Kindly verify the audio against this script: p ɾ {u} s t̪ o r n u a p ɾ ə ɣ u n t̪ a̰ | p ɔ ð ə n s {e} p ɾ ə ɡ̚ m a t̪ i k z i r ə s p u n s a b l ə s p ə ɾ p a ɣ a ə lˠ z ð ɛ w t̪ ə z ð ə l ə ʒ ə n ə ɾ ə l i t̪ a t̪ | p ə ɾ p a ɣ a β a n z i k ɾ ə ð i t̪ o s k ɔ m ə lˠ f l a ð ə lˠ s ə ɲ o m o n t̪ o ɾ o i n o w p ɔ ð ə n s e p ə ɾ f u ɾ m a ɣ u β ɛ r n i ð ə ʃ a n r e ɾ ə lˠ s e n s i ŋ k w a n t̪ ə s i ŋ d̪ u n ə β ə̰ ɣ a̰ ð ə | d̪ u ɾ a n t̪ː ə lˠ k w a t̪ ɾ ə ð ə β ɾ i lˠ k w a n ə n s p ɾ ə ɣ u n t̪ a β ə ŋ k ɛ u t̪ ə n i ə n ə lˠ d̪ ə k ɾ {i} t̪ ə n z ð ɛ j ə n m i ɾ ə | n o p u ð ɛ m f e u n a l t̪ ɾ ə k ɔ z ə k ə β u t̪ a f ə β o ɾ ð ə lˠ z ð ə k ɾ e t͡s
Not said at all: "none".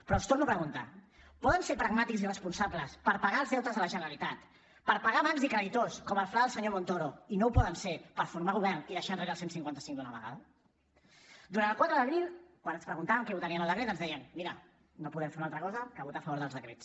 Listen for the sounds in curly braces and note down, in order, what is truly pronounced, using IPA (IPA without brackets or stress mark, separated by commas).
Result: ɔ, e, e